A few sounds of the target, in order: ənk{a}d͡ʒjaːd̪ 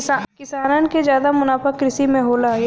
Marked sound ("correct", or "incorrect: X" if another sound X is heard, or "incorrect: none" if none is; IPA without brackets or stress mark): incorrect: e